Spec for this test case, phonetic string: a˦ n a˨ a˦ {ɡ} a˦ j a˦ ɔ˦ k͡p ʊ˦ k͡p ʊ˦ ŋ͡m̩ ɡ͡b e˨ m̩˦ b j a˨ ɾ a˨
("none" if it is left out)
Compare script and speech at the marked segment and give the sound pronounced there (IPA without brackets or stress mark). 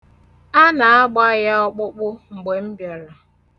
ɡ͡b